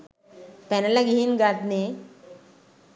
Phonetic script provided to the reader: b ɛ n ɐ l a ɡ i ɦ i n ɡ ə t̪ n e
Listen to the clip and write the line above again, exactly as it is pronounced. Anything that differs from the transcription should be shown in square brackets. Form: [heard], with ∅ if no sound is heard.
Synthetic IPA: [p] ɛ n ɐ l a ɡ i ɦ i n ɡ [a] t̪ n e